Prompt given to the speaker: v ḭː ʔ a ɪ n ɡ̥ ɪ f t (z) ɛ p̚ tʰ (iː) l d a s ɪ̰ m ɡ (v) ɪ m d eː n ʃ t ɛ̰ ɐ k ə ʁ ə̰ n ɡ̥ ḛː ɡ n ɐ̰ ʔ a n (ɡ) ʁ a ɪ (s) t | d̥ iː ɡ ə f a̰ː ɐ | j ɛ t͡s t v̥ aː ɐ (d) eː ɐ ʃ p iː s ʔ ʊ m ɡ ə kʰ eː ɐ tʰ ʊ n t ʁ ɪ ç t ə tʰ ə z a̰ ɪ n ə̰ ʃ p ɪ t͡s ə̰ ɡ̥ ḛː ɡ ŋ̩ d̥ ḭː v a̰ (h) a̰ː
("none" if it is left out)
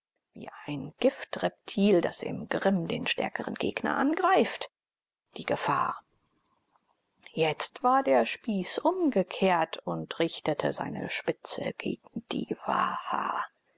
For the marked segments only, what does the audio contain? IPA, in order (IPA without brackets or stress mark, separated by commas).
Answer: ʁ, iː, ʁ, ɡ, f, d, h